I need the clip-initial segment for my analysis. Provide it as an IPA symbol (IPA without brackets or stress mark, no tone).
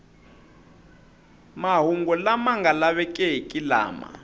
m